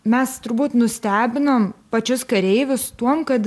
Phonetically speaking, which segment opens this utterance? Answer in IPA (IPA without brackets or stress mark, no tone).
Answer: mʲ